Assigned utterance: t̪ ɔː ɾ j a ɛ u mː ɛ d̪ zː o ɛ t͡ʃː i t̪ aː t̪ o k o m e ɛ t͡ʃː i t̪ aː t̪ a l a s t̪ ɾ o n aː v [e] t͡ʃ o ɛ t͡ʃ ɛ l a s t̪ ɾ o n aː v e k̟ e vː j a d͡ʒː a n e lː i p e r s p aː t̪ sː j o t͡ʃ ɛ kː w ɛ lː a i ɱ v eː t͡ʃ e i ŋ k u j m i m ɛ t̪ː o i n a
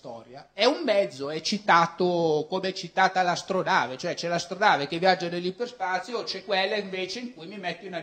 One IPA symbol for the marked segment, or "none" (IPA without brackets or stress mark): e